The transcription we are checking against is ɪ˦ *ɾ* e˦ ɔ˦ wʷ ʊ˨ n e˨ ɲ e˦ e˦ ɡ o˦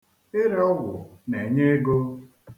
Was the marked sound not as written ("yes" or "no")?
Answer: no